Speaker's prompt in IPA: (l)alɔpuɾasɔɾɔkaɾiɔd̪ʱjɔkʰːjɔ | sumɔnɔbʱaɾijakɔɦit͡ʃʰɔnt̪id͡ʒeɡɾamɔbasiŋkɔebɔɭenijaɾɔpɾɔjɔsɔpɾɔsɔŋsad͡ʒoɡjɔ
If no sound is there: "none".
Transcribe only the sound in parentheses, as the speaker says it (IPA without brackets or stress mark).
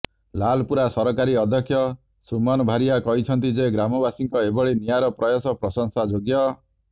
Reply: l